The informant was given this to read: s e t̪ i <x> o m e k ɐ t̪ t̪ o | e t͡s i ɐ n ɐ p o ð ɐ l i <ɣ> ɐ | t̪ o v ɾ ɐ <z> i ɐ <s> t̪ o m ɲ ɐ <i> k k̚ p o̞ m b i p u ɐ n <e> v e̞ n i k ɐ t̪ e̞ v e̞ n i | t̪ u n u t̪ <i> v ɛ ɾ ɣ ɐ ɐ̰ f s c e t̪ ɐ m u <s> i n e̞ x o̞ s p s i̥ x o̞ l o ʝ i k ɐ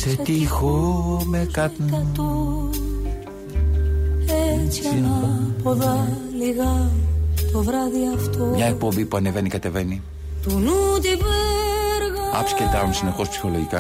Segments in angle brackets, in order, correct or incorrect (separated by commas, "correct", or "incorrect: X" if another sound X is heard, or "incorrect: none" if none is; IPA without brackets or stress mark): correct, correct, incorrect: ð, incorrect: f, incorrect: e, correct, correct, correct